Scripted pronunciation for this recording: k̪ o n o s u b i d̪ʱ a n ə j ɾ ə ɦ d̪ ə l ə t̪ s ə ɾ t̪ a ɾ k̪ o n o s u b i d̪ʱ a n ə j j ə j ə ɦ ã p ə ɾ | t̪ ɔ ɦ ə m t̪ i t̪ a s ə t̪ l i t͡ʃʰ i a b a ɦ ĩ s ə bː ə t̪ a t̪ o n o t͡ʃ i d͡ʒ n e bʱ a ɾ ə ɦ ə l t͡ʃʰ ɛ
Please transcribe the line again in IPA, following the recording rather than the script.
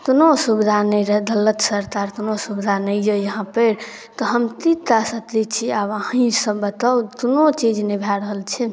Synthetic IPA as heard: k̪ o n o s u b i d̪ʱ a n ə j ɾ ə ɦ d̪ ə l ə t̪ s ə ɾ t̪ a ɾ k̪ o n o s u b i d̪ʱ a n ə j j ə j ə ɦ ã p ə ɾ | t̪ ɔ ɦ ə m t̪ i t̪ a s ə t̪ l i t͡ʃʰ i a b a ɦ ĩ s ə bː ə t̪ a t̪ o n o t͡ʃ i d͡ʒ n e bʱ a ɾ ə ɦ ə l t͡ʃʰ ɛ